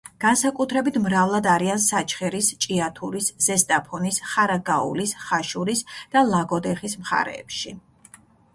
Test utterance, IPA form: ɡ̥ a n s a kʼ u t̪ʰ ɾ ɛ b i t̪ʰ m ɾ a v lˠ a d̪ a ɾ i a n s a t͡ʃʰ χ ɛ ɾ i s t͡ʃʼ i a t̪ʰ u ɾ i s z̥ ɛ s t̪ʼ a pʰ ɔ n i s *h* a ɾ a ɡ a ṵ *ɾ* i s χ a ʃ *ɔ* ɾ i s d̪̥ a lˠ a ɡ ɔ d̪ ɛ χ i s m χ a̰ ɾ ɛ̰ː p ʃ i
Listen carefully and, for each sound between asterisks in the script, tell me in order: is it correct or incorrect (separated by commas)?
incorrect, incorrect, incorrect